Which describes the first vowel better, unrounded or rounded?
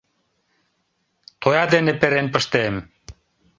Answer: rounded